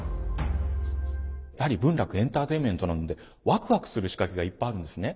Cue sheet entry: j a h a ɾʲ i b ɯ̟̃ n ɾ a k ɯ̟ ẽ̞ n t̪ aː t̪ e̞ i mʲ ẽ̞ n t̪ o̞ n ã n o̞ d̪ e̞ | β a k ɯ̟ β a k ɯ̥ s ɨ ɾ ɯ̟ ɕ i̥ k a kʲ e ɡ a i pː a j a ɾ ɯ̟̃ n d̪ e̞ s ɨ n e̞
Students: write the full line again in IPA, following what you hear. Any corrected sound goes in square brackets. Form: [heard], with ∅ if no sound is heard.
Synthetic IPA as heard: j a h a ɾʲ i b ɯ̟̃ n ɾ a k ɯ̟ ẽ̞ n t̪ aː t̪ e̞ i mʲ ẽ̞ n t̪ o̞ n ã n o̞ d̪ e̞ | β a k ɯ̟ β a k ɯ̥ s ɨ ɾ ɯ̟ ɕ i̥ k a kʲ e ɡ a i pː a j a ɾ ɯ̟̃ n d̪ e̞ s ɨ n e̞